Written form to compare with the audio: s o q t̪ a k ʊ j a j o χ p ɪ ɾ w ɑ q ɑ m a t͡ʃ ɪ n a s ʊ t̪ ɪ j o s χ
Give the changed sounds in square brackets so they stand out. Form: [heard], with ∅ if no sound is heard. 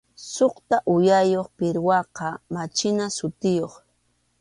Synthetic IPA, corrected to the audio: s o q t̪ a [ʔ] ʊ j a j o χ p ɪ ɾ w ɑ q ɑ m a t͡ʃ ɪ n a s ʊ t̪ ɪ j o [∅] χ